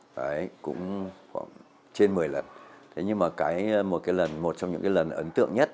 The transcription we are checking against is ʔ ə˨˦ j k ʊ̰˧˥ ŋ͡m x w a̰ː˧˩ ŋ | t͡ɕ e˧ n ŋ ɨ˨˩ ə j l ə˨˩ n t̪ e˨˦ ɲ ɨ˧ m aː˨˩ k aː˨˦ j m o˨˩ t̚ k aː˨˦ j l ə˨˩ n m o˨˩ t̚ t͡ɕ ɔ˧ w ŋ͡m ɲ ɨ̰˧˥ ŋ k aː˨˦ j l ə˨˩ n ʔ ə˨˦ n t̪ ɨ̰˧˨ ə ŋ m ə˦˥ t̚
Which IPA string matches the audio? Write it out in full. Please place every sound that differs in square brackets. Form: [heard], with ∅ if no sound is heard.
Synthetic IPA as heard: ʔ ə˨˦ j k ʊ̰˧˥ ŋ͡m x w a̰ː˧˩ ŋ | t͡ɕ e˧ n [m] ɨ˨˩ ə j l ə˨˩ n [t̪ʰ] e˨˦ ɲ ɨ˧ m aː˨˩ k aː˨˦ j m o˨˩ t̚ k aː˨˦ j l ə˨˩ n m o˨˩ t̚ t͡ɕ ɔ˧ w ŋ͡m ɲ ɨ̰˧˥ ŋ k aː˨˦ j l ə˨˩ n ʔ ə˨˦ n t̪ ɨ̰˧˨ ə ŋ [ɲ] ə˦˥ t̚